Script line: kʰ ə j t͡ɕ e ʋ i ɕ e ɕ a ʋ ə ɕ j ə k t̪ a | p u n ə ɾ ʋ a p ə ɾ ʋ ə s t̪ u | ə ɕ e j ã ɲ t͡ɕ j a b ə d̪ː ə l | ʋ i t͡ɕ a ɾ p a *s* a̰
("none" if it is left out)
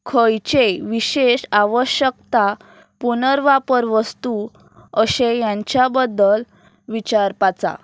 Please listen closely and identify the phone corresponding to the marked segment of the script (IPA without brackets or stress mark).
t͡s